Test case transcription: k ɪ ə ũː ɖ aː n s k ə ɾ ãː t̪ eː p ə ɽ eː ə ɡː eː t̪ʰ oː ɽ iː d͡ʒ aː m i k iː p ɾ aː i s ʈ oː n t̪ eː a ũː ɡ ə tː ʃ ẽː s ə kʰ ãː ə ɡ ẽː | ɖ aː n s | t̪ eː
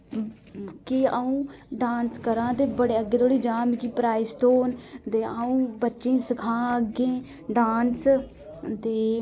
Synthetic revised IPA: k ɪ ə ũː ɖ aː n s k ə ɾ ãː t̪ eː b ə ɽ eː ə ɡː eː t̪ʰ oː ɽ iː d͡ʒ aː m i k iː p ɾ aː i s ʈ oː n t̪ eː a ũː b ə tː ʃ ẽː s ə kʰ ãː ə ɡ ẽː | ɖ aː n s | t̪ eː